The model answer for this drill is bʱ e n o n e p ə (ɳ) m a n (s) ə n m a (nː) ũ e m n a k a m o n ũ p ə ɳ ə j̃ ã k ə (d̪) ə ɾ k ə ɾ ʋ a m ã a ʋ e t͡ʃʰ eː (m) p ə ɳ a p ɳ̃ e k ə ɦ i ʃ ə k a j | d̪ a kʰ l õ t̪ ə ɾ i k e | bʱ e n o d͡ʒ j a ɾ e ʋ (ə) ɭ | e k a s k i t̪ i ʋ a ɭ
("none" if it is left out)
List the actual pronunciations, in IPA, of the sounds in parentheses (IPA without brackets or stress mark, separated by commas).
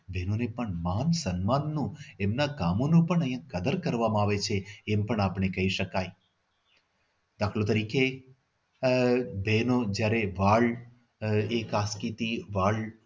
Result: ɳ, s, nː, d̪, m, a